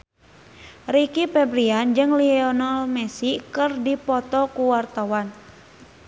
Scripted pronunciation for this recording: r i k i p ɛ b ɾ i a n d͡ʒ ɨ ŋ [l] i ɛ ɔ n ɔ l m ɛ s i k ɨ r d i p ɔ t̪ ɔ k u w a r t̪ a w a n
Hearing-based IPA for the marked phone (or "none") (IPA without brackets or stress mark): l